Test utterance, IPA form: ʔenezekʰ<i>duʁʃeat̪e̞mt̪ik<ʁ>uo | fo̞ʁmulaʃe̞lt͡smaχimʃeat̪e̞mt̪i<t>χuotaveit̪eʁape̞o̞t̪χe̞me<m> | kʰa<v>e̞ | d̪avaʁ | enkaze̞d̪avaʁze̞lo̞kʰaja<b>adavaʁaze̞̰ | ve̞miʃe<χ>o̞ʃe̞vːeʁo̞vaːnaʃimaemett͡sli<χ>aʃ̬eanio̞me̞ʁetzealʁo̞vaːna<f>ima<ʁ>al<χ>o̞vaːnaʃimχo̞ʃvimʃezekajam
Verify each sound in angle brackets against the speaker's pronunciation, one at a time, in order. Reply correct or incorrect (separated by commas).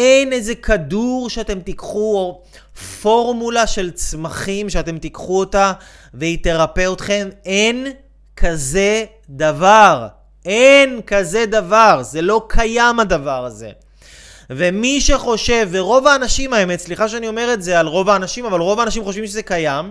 incorrect, incorrect, incorrect, incorrect, incorrect, incorrect, correct, correct, incorrect, incorrect, incorrect